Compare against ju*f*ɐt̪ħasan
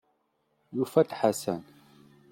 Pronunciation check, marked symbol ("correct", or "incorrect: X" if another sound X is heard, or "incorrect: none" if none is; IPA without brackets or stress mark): correct